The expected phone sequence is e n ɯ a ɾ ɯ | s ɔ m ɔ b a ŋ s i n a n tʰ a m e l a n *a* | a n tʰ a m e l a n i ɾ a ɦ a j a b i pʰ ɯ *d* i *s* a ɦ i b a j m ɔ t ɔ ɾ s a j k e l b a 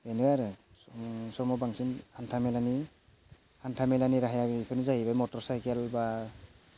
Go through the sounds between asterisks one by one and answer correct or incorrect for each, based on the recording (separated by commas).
incorrect, incorrect, incorrect